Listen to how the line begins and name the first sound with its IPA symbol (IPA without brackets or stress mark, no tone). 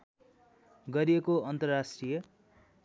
ɡ